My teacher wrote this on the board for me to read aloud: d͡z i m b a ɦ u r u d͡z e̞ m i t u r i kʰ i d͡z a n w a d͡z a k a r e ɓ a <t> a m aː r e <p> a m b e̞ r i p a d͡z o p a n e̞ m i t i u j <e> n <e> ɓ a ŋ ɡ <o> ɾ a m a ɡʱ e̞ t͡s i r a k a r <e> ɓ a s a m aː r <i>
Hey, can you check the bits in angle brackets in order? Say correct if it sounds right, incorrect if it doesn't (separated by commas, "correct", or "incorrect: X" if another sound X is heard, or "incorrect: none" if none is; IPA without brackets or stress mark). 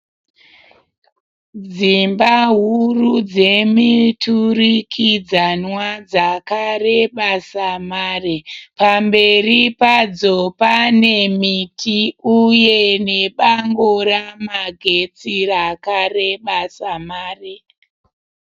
incorrect: s, correct, correct, correct, correct, correct, incorrect: e